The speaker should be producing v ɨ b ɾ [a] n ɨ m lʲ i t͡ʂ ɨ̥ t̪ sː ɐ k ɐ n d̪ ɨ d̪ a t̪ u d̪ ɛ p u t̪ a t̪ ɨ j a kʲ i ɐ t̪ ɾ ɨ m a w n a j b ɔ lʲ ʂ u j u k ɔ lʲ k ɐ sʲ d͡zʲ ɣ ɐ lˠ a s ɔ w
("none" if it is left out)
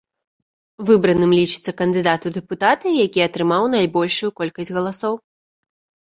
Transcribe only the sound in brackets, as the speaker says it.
ɐ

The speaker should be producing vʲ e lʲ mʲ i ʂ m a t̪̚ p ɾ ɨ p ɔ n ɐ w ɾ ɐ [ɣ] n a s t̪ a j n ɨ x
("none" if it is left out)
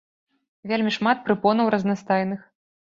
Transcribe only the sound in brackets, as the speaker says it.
z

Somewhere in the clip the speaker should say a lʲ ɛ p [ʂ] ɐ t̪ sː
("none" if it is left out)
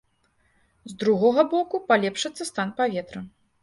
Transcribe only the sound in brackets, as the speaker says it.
ʂ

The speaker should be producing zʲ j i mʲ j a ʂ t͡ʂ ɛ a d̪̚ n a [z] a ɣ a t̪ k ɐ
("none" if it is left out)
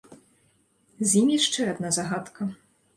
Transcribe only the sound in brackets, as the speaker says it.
z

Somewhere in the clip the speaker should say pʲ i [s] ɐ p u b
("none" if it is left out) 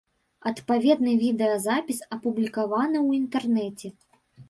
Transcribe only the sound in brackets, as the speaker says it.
s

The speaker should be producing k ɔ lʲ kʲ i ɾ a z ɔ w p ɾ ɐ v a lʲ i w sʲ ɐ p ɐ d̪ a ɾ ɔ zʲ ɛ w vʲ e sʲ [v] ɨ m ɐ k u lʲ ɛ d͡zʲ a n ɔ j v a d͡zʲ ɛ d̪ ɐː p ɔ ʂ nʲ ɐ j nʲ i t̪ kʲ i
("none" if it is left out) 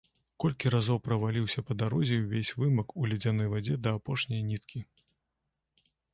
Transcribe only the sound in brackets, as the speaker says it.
v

